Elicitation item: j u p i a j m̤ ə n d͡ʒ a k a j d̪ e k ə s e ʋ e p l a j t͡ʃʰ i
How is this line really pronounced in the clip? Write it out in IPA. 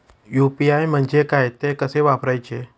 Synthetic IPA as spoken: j u p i a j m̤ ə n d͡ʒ e k a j t̪ e k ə s e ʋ a p ɾ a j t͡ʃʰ e